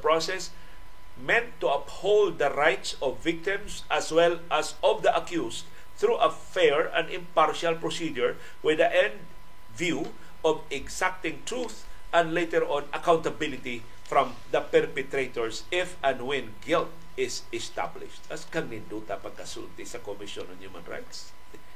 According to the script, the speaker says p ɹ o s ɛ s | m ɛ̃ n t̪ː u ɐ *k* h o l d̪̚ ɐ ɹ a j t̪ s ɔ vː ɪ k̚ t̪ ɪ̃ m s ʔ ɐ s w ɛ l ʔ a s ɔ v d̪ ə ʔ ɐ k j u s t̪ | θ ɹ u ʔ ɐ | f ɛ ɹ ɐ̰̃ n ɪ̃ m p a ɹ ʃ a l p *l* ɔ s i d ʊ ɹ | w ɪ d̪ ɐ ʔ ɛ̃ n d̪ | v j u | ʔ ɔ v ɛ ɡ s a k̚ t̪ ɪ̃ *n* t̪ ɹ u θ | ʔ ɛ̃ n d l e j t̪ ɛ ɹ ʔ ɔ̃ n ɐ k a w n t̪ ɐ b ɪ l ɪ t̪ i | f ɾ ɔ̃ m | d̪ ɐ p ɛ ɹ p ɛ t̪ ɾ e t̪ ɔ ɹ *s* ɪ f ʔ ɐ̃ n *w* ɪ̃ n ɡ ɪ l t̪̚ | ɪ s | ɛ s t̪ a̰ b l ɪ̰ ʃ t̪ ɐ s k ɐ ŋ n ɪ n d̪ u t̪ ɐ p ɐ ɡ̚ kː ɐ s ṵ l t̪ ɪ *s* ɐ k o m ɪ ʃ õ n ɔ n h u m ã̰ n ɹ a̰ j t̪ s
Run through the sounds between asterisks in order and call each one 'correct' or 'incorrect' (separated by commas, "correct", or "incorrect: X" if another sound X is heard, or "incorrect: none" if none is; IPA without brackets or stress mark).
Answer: incorrect: p, incorrect: ɹ, incorrect: ŋ, correct, correct, correct